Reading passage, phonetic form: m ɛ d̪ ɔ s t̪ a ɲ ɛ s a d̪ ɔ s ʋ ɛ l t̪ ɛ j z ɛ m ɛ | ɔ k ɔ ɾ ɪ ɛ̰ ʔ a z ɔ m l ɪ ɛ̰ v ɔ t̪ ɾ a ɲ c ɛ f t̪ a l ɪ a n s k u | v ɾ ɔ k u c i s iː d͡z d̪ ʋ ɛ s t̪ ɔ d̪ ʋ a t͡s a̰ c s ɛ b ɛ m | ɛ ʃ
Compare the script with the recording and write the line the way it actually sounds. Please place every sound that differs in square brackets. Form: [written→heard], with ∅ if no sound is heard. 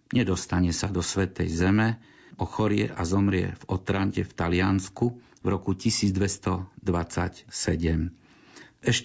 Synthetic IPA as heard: [m→ɲ] ɛ d̪ ɔ s t̪ a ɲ ɛ s a d̪ ɔ s ʋ ɛ [l→∅] t̪ ɛ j z ɛ m ɛ | ɔ [k→x] ɔ ɾ ɪ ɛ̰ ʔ a z ɔ m [l→ɾ] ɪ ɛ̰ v ɔ t̪ ɾ a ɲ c ɛ f t̪ a l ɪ a n s k u | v ɾ ɔ k u c i s iː d͡z d̪ ʋ ɛ s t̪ ɔ d̪ ʋ a t͡s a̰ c s ɛ [b→ɟ] ɛ m | ɛ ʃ